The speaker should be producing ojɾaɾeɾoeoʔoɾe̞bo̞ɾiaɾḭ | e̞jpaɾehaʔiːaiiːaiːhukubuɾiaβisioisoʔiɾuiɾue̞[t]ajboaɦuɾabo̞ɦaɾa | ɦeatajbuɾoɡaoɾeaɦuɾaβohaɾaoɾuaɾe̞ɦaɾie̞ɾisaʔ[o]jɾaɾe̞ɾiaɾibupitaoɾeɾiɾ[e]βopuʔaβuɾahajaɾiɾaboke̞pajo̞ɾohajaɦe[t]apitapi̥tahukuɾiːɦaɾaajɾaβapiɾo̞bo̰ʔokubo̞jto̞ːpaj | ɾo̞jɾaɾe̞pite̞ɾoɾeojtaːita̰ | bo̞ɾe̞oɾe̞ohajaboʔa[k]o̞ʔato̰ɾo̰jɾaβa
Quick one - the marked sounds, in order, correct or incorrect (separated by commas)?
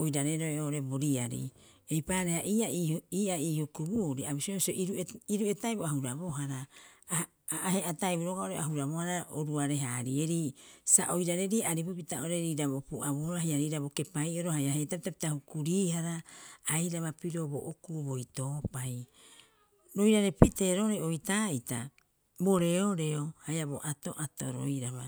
correct, correct, incorrect, correct, incorrect